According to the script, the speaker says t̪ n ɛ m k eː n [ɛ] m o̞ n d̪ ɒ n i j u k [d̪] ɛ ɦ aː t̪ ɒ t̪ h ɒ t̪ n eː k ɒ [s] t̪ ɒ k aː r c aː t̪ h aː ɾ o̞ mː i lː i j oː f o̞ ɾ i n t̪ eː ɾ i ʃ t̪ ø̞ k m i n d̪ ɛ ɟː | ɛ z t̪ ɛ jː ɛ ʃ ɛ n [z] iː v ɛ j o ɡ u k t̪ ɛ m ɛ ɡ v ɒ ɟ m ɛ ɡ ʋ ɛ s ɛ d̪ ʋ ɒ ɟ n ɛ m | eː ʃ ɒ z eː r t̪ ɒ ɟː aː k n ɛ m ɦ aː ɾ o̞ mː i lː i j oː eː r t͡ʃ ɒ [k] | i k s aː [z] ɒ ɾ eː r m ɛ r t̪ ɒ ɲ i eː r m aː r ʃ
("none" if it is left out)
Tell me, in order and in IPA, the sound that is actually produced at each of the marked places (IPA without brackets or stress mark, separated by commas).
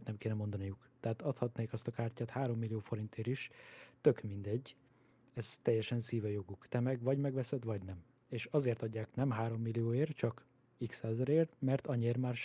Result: ɛ, t̪, s, s, k, z